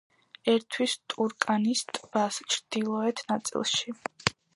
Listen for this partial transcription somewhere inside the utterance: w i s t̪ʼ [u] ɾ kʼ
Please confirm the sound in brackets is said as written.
yes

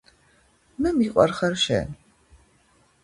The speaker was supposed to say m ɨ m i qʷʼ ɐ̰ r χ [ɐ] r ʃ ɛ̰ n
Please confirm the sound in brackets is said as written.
yes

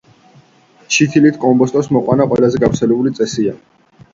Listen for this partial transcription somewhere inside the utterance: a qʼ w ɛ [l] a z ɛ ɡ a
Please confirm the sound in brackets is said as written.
yes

